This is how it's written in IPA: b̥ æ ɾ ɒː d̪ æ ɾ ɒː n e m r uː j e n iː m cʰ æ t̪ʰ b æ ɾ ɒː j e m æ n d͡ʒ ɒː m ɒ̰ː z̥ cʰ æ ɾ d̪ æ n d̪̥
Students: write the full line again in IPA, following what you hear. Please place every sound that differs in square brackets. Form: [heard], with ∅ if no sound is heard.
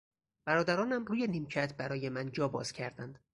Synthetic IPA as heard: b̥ æ ɾ ɒː d̪ æ ɾ ɒː n [æ] m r uː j e n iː m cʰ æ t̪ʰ b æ ɾ ɒː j e m æ n d͡ʒ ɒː [b] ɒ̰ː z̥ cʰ æ ɾ d̪ æ n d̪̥